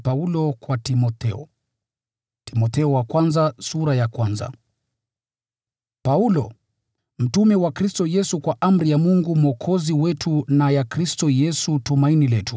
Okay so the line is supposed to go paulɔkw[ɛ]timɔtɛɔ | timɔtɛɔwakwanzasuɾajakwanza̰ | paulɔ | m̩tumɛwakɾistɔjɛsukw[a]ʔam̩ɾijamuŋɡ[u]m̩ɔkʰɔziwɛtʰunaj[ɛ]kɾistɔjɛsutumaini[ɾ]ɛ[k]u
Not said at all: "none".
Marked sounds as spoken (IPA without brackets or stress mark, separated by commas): a, a, u, a, l, t